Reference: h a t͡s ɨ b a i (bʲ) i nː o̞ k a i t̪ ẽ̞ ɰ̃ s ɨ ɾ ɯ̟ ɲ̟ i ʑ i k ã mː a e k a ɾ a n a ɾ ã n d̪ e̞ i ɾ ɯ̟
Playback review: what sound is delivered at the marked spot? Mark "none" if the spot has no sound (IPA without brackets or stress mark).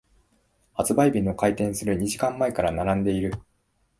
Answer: bʲ